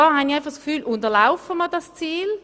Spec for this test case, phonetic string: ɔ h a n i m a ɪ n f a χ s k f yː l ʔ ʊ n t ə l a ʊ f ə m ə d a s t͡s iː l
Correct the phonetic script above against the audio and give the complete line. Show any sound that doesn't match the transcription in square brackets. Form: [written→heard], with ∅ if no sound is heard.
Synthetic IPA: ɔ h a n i [m→∅] a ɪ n f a χ s k f yː l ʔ ʊ n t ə l a ʊ f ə m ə d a s t͡s iː l